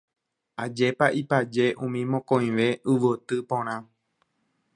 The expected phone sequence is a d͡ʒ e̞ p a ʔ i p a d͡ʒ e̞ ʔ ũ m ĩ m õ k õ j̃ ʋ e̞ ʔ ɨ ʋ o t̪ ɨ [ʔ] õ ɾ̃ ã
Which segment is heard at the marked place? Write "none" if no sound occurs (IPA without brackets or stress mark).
p